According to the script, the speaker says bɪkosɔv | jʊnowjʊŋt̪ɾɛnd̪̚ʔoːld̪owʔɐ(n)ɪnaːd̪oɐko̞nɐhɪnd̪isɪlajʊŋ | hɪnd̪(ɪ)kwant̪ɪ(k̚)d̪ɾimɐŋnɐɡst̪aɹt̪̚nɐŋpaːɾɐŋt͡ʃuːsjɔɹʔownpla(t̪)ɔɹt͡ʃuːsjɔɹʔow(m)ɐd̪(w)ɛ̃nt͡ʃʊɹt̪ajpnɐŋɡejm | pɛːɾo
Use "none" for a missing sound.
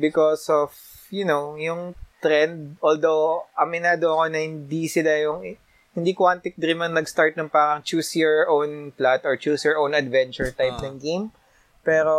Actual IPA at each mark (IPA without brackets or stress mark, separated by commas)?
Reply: m, i, k̚, t̪, n, v